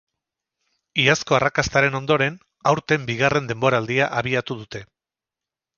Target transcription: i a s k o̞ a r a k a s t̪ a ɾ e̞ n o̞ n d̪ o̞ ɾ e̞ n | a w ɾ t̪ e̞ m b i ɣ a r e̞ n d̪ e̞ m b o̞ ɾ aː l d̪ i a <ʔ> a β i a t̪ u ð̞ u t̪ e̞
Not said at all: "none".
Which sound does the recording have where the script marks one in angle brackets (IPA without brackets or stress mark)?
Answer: ʔ